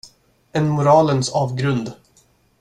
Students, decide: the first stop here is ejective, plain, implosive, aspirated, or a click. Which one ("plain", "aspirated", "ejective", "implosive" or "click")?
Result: plain